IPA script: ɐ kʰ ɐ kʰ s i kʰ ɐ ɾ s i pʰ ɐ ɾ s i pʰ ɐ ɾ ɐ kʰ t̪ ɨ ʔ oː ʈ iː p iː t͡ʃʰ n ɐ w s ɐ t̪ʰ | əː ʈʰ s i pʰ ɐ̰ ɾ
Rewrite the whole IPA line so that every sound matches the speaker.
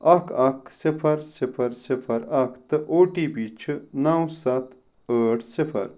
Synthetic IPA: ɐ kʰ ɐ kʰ s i pʰ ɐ ɾ s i pʰ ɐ ɾ s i pʰ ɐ ɾ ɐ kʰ t̪ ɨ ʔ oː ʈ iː b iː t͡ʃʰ n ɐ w s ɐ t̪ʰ | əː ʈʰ s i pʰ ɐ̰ ɾ